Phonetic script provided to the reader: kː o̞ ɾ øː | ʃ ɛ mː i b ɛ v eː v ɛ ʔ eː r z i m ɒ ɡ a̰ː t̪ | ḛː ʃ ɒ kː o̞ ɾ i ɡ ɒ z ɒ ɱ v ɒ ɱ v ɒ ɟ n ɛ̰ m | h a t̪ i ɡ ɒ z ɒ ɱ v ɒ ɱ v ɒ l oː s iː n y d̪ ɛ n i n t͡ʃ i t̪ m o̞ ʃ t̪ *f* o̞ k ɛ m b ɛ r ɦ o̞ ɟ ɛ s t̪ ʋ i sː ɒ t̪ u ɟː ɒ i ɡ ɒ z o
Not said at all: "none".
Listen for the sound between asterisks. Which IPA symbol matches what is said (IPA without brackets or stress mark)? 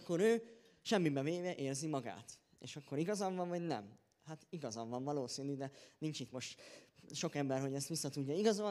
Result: ʃ